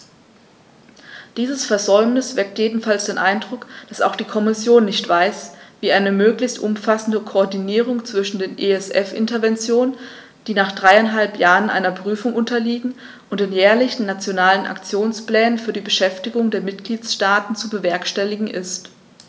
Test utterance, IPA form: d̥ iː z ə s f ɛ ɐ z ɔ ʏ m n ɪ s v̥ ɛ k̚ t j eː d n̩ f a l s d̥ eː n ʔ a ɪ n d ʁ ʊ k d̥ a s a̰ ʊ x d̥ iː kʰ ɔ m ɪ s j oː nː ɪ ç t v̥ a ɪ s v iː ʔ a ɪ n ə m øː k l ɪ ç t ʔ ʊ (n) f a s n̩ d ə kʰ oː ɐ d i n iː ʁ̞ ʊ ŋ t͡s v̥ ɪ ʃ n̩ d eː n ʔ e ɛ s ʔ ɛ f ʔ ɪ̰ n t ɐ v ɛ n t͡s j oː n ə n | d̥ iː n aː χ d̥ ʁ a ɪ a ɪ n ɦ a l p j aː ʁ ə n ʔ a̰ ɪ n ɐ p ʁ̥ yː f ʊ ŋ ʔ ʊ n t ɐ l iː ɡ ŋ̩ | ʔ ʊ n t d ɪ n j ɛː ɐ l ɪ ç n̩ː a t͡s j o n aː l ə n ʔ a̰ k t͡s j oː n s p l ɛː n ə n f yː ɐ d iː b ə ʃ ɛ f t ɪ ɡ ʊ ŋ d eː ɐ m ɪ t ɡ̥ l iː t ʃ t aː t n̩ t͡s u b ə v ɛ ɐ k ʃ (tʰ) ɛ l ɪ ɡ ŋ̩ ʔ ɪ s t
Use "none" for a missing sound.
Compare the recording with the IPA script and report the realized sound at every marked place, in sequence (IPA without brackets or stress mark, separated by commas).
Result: m, t